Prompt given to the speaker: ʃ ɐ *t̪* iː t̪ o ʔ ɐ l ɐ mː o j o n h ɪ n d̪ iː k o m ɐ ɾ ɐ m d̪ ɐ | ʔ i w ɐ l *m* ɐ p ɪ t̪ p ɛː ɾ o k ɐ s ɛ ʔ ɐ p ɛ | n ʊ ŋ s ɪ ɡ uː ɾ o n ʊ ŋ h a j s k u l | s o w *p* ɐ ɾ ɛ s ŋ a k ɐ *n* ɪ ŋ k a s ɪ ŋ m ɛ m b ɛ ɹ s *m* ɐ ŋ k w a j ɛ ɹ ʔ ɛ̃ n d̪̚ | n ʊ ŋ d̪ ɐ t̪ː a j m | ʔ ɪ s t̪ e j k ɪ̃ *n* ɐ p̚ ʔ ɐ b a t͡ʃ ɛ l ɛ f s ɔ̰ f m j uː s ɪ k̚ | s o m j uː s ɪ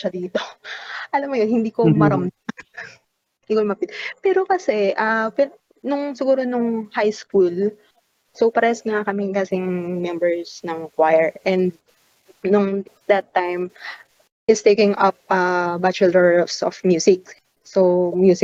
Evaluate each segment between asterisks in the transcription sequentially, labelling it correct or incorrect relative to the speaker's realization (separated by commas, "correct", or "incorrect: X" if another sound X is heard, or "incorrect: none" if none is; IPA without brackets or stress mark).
incorrect: d̪, correct, correct, incorrect: m, incorrect: n, incorrect: ŋ